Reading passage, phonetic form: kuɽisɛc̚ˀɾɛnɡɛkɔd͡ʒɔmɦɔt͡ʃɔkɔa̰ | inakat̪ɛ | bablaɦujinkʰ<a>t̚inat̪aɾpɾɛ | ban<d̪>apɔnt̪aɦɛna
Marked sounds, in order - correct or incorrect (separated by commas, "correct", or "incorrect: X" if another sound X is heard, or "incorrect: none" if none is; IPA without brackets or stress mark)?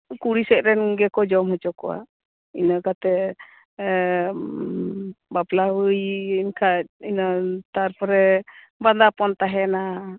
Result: correct, correct